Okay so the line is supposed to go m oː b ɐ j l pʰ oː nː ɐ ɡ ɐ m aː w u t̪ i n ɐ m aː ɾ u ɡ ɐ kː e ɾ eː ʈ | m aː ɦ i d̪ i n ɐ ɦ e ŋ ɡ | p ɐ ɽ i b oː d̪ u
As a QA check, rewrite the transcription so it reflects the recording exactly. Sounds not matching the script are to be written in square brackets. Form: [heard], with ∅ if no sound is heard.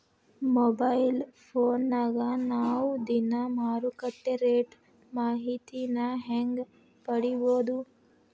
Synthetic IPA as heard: m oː b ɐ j l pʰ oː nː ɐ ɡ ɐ [n] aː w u [d̪] i n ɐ m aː ɾ u [k] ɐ [ʈː] e ɾ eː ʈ | m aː ɦ i [t̪] i n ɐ ɦ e ŋ ɡ | p ɐ ɽ i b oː d̪ u

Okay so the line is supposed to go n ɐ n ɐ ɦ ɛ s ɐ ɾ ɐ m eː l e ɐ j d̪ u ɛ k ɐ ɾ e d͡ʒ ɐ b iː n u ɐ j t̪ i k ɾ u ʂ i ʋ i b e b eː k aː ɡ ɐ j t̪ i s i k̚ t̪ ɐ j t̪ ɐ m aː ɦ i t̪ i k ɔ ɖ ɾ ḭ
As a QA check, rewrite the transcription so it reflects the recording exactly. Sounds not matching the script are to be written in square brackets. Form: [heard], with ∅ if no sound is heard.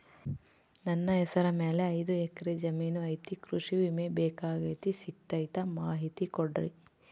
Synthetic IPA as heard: n ɐ [nː] ɐ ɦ ɛ s ɐ ɾ ɐ m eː l e ɐ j d̪ u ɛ k ɐ ɾ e d͡ʒ ɐ [m] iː n u ɐ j t̪ i k ɾ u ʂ i ʋ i [m] e b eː k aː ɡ ɐ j t̪ i s i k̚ t̪ ɐ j t̪ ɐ m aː ɦ i t̪ i k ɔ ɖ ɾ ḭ

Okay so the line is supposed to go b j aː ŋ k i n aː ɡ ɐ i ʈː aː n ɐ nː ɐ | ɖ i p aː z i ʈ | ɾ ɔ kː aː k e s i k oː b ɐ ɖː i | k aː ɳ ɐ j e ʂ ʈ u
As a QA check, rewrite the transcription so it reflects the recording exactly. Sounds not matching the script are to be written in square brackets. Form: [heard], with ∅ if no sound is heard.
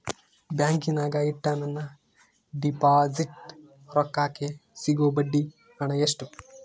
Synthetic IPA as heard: b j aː ŋ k i n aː ɡ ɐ i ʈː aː n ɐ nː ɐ | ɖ i p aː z i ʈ | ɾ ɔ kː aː k e s i [ɡ] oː b ɐ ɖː i | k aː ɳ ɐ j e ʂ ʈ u

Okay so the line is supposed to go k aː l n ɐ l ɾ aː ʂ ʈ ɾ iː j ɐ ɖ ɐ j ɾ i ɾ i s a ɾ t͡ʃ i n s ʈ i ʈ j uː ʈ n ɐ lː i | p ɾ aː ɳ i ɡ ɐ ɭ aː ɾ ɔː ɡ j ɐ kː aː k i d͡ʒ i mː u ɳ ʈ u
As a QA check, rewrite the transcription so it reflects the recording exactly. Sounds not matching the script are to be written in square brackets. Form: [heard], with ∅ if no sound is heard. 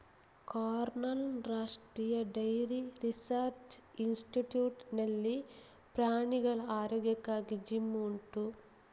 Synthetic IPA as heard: k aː [ɾ] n ɐ l ɾ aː ʂ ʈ ɾ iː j ɐ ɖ ɐ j ɾ i ɾ i s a ɾ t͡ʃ i n s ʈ i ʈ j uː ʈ n ɐ lː i | p ɾ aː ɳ i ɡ ɐ ɭ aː ɾ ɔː ɡ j ɐ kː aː [ɡ] i d͡ʒ i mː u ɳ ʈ u

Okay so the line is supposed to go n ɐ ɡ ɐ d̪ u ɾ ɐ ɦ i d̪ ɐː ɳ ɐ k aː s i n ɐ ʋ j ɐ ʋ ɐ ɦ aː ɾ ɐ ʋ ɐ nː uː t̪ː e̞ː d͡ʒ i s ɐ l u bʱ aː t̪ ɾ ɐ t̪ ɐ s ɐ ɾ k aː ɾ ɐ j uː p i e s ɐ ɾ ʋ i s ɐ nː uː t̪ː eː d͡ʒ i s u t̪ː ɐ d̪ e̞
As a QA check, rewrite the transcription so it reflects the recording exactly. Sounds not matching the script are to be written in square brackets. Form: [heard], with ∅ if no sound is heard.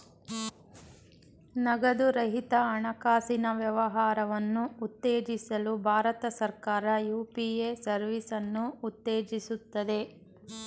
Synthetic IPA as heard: n ɐ ɡ ɐ d̪ u ɾ ɐ ɦ i [t̪] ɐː ɳ ɐ k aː s i n ɐ ʋ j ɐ ʋ ɐ ɦ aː ɾ ɐ ʋ ɐ nː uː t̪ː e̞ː d͡ʒ i s ɐ l u bʱ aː [∅] ɾ ɐ t̪ ɐ s ɐ ɾ k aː ɾ ɐ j uː p i e s ɐ ɾ ʋ i s ɐ nː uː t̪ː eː d͡ʒ i s u t̪ː ɐ d̪ e̞

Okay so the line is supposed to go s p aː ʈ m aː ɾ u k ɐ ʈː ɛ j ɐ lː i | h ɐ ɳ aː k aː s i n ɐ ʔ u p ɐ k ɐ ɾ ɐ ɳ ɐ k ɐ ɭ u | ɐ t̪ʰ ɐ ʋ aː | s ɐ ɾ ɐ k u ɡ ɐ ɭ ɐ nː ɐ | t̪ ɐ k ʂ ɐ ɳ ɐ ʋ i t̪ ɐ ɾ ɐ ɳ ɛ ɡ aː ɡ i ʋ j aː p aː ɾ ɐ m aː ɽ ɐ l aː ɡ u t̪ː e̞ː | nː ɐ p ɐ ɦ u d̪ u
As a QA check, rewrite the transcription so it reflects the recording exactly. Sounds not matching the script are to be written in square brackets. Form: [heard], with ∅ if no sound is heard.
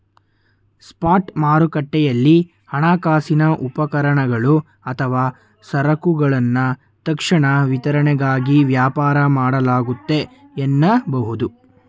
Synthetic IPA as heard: s p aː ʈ m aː ɾ u k ɐ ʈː ɛ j ɐ lː i | h ɐ ɳ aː k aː s i n ɐ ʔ u p ɐ k ɐ ɾ ɐ ɳ ɐ [ɡ] ɐ ɭ u | ɐ t̪ʰ ɐ ʋ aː | s ɐ ɾ ɐ k u ɡ ɐ ɭ ɐ nː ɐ | t̪ ɐ k ʂ ɐ ɳ ɐ ʋ i t̪ ɐ ɾ ɐ ɳ ɛ ɡ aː ɡ i ʋ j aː p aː ɾ ɐ m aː ɽ ɐ l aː ɡ u t̪ː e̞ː | nː ɐ [b] ɐ ɦ u d̪ u

